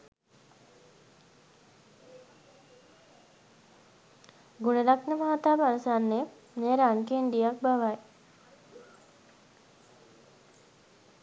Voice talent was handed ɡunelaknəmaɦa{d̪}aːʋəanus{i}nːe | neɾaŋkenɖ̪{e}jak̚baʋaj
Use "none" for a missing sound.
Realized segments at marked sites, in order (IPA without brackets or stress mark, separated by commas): t̪, a, i